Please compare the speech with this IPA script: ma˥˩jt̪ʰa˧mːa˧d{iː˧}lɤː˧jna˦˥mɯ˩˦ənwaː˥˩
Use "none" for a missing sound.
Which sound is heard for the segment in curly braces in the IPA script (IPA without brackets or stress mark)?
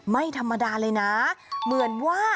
aː˧